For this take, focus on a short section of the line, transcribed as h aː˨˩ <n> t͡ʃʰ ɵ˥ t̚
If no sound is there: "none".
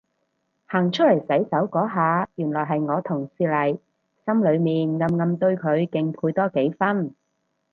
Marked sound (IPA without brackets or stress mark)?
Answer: ŋ